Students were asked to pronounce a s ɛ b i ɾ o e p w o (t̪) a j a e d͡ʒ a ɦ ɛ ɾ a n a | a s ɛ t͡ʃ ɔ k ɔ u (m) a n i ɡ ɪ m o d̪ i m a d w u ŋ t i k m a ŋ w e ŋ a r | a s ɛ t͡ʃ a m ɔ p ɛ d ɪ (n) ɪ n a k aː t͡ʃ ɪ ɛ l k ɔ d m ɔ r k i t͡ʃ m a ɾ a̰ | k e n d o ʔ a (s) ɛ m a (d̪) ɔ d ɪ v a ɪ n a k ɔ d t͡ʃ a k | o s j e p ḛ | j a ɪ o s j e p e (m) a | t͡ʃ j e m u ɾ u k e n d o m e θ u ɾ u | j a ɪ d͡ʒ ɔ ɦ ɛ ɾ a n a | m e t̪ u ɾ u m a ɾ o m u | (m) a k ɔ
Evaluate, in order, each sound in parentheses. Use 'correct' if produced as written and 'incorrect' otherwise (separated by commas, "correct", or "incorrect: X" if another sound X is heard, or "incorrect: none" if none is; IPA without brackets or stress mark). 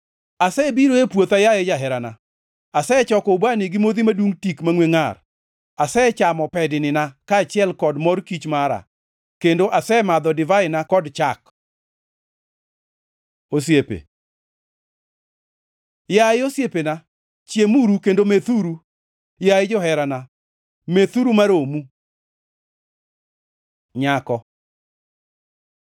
correct, incorrect: b, correct, correct, correct, incorrect: n, incorrect: ɲ